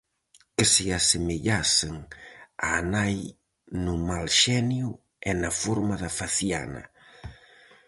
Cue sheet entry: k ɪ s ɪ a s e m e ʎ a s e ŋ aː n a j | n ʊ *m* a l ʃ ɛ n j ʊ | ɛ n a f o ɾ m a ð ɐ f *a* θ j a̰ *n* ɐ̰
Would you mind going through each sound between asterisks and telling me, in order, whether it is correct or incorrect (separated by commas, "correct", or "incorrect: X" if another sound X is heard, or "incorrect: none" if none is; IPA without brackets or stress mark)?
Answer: correct, correct, correct